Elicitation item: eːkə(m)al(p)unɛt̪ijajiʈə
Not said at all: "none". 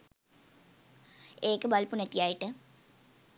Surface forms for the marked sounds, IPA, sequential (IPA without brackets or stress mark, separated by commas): b, p